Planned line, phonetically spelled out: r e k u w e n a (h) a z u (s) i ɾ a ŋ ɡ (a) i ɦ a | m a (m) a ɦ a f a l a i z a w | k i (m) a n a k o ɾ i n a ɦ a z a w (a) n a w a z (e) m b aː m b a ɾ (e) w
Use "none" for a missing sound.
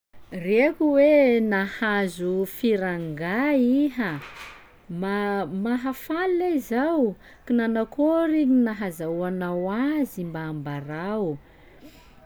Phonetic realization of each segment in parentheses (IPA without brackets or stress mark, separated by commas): h, f, a, m, n, a, i, a